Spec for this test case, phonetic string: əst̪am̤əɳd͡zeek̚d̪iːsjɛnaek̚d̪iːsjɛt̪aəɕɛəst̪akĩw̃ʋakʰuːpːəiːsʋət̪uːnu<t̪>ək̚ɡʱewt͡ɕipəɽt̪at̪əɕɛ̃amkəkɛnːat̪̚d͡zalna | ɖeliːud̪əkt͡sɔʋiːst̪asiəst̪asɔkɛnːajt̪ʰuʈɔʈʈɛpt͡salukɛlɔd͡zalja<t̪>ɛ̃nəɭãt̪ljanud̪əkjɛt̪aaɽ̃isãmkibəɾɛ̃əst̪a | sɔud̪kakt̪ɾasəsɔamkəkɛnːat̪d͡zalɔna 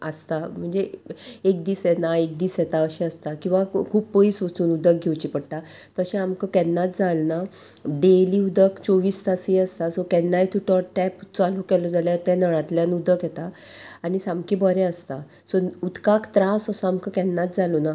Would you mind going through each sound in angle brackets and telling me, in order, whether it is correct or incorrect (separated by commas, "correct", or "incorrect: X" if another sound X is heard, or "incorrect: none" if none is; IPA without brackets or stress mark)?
incorrect: d̪, correct